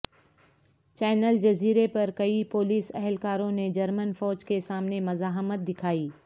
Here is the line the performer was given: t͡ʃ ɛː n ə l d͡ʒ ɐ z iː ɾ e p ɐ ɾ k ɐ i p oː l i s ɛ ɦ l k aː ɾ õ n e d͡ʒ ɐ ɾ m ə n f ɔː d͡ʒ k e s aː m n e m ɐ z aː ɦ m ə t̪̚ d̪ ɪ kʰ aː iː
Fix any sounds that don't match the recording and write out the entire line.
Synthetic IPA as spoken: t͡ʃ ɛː n ə l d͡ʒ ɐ z iː ɾ e p ɐ ɾ k ɐ i p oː l iː s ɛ ɦ l k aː ɾ õ n e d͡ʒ ɐ ɾ m ə n f ɔː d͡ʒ k e s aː m n e m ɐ z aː ɦ m ə t̪̚ d̪ ɪ kʰ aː iː